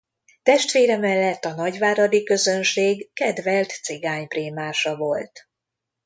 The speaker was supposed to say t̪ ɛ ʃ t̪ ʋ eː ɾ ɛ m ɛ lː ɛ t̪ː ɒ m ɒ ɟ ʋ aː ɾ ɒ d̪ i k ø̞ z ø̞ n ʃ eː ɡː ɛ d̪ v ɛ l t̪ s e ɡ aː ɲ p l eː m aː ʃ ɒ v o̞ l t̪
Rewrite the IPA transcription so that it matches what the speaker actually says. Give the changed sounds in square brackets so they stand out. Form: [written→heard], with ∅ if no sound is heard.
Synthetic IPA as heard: t̪ ɛ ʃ t̪ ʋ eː ɾ ɛ m ɛ lː ɛ t̪ː ɒ [m→n] ɒ ɟ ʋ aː ɾ ɒ d̪ i k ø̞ z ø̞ n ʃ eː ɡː ɛ d̪ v ɛ l t̪ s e ɡ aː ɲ p [l→r] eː m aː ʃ ɒ v o̞ l t̪

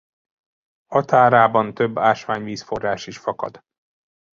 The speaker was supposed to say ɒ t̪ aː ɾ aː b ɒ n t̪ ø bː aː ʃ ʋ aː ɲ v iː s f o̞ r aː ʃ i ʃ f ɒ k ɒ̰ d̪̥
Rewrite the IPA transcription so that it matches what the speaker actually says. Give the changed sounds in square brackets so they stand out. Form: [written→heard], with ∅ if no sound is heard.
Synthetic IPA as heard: ɒ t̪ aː ɾ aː b ɒ n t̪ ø bː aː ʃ ʋ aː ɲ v iː s f o̞ r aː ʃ i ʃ f ɒ k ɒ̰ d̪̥

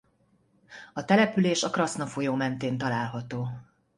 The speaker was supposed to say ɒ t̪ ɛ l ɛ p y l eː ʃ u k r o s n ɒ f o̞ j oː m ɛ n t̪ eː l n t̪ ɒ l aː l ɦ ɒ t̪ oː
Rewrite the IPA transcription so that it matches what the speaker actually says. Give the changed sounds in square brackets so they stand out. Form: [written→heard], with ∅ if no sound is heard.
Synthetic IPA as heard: ɒ t̪ ɛ l ɛ p y l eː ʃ [u→ɒ] k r [o→ɒ] s n ɒ f o̞ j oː m ɛ n t̪ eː [l→∅] n t̪ ɒ l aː l ɦ ɒ t̪ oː

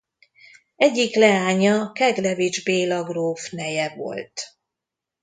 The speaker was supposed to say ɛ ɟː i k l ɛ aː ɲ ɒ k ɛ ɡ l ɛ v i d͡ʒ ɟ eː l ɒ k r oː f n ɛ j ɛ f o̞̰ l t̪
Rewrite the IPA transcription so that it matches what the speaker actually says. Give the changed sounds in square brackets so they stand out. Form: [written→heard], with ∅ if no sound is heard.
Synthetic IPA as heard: ɛ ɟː i k l ɛ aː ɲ ɒ k ɛ ɡ l ɛ v i d͡ʒ [ɟ→b] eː l ɒ [k→ɡ] r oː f n ɛ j ɛ [f→v] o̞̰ l t̪

